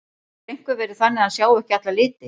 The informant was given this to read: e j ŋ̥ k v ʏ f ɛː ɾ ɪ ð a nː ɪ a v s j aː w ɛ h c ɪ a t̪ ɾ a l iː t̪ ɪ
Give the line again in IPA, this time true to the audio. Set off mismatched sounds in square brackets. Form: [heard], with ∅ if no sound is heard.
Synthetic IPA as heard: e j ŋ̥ k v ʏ [v] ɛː ɾ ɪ [θ] a nː ɪ a [ð] s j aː w ɛ h c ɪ a t̪ [l] a l [ɪː] t̪ ɪ